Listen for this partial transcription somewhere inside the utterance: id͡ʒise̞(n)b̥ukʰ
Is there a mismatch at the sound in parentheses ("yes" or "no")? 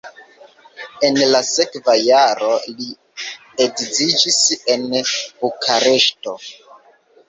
no